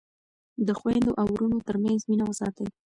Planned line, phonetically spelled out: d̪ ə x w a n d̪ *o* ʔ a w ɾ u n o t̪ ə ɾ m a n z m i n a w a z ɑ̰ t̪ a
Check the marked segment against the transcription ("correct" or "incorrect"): correct